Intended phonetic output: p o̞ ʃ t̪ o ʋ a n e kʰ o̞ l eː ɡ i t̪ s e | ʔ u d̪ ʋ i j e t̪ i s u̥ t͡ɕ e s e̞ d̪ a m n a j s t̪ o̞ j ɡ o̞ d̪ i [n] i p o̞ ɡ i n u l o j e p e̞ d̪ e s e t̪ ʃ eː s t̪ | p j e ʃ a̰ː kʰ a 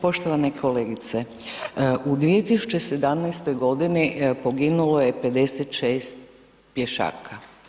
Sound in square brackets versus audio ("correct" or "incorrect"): correct